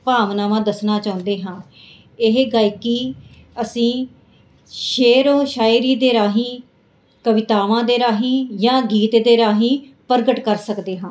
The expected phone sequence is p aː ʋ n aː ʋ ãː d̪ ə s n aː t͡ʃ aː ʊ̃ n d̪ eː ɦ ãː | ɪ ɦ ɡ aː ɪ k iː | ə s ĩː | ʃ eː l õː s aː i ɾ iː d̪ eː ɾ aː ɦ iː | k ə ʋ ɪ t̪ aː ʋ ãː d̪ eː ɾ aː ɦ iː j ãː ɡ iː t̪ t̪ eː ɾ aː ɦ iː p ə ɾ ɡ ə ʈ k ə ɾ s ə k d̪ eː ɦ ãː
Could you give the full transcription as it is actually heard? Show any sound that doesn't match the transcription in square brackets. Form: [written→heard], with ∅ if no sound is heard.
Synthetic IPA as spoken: p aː ʋ n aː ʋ ãː d̪ ə s n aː t͡ʃ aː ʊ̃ n d̪ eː ɦ ãː | ɪ ɦ ɡ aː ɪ k iː | ə s ĩː | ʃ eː [l→ɾ] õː [s→ʃ] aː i ɾ iː d̪ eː ɾ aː ɦ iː | k ə ʋ ɪ t̪ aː ʋ ãː d̪ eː ɾ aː ɦ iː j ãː ɡ iː t̪ [t̪→d̪] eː ɾ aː ɦ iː p ə ɾ ɡ ə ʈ k ə ɾ s ə k d̪ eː ɦ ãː